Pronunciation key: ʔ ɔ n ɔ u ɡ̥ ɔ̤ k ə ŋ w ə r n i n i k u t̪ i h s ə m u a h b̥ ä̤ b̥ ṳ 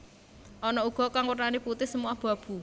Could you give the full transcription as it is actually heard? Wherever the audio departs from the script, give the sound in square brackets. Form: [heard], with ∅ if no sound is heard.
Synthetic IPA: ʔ ɔ n ɔ u ɡ̥ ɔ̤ k [a] ŋ w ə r n [a] n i [p] u t̪ [ɪ] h s ə m u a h b̥ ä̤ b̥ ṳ